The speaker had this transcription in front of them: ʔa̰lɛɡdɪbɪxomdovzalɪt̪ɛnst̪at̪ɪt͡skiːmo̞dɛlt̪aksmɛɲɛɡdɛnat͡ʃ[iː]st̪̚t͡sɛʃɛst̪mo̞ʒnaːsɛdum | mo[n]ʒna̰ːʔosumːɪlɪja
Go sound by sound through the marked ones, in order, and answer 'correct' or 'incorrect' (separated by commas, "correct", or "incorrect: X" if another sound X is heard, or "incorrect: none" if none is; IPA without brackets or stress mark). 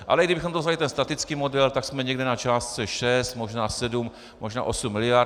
incorrect: aː, incorrect: none